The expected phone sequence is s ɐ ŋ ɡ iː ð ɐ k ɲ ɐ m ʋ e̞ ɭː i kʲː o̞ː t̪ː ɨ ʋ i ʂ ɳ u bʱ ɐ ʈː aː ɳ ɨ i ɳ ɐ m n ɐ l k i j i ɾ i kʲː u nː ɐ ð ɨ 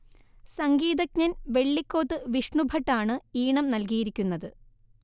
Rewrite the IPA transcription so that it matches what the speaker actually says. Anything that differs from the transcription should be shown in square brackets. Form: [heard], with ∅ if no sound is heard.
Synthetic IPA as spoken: s ɐ ŋ ɡ iː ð ɐ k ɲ ɐ [n] ʋ e̞ ɭː i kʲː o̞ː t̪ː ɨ ʋ i ʂ ɳ u bʱ ɐ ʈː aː ɳ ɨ [iː] ɳ ɐ m n ɐ l k i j i ɾ i kʲː u nː ɐ ð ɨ